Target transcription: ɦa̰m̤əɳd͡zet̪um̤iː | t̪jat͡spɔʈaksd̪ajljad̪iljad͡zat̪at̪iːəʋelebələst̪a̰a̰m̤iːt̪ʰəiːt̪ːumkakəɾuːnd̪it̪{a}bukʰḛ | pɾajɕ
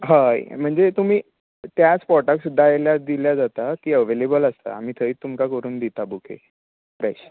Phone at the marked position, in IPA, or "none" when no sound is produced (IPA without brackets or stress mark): a